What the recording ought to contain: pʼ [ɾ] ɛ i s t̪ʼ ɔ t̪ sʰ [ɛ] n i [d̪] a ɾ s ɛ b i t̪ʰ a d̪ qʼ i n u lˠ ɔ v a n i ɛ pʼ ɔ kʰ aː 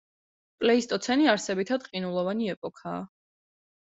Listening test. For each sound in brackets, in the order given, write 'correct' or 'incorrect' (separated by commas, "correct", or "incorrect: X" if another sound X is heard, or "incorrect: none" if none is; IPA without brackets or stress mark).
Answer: incorrect: l, correct, incorrect: none